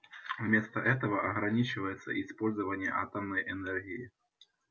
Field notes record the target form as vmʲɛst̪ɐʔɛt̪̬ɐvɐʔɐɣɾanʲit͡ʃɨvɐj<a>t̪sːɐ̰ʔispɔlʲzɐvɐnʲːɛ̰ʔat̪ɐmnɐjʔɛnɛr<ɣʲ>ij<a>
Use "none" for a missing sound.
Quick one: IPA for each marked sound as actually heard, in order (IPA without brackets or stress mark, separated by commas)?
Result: ɛ, ɣʲ, i